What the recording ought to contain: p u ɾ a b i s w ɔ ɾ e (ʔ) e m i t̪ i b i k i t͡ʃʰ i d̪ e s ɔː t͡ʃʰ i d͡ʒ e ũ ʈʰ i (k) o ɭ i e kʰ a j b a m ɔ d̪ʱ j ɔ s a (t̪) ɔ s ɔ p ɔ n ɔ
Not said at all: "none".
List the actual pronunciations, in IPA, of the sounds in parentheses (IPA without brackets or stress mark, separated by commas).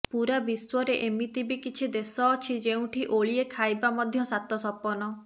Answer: ʔ, ʔ, t̪